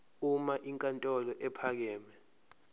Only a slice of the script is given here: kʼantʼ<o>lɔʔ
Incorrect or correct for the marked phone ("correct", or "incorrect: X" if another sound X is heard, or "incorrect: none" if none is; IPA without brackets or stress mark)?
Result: incorrect: ɔ